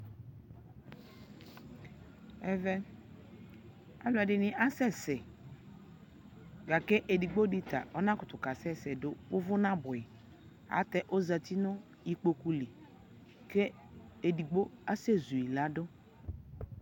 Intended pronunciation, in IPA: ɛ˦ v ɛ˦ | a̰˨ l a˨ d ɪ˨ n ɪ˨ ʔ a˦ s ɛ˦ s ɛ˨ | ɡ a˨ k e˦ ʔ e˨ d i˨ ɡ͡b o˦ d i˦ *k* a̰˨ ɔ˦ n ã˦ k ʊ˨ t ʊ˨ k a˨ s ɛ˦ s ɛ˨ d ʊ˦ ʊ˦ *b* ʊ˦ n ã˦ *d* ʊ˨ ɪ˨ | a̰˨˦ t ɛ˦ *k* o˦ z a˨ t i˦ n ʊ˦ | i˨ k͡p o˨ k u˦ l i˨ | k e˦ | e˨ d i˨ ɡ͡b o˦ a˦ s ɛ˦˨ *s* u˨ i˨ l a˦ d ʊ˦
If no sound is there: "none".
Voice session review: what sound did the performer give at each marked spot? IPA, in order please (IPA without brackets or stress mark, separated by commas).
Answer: t, v, b, ʔ, z